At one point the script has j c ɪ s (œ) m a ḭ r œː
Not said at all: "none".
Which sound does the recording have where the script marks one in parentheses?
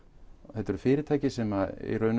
ɛ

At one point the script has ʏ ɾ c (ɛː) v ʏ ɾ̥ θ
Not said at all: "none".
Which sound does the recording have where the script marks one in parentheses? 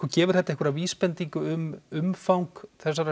ɛː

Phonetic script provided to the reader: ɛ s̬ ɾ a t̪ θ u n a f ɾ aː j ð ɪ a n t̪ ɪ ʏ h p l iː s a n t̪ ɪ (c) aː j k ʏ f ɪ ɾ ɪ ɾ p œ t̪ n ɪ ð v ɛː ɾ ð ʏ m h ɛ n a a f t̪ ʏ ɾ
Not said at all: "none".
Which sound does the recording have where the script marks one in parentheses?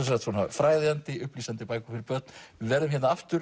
p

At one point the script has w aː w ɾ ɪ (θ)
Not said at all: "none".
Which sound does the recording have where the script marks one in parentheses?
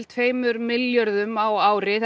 θ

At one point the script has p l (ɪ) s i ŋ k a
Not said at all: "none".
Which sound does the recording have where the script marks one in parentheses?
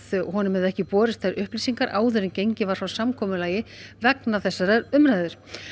i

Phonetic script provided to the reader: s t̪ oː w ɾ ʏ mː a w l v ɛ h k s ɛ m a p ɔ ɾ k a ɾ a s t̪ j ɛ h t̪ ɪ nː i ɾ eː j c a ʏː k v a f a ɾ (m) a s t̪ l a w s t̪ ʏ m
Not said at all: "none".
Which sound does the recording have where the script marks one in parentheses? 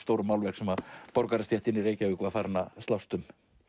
n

